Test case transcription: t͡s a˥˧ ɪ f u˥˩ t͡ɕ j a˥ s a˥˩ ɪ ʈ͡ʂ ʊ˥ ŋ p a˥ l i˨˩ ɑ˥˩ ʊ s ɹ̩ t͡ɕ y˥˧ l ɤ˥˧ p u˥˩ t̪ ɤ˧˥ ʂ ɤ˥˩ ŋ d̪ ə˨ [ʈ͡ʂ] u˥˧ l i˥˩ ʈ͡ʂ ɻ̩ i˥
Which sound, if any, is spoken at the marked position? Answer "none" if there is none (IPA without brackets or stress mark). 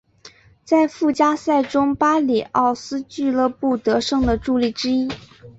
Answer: ʈ͡ʂ